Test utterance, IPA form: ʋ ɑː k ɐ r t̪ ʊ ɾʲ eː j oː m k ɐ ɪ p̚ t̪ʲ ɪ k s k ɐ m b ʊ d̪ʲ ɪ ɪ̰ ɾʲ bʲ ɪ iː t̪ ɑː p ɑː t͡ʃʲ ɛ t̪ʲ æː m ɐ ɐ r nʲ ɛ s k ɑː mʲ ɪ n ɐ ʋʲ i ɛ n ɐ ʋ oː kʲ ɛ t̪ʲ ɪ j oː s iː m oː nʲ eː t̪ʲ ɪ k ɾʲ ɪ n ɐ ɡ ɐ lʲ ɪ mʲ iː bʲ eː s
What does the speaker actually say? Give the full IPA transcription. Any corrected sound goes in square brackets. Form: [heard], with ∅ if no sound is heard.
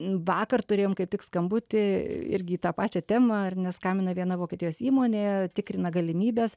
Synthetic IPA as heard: ʋ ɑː k ɐ r t̪ ʊ ɾʲ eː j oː m k ɐ ɪ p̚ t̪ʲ ɪ k s k ɐ m b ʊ [t̪ʲ] ɪ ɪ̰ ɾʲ [ɡʲ] ɪ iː t̪ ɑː p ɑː t͡ʃʲ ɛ t̪ʲ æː m ɐ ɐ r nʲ ɛ s k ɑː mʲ ɪ n ɐ ʋʲ i ɛ n ɐ ʋ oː kʲ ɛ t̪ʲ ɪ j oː s iː m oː nʲ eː t̪ʲ ɪ k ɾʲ ɪ n ɐ ɡ ɐ lʲ ɪ mʲ iː bʲ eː s